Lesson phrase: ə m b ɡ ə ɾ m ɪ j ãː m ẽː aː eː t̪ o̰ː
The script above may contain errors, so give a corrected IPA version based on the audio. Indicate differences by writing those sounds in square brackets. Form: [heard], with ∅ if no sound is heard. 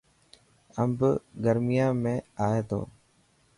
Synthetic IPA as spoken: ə m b ɡ ə ɾ m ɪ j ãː m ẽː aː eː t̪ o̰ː